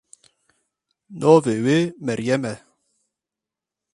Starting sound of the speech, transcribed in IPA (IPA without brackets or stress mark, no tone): n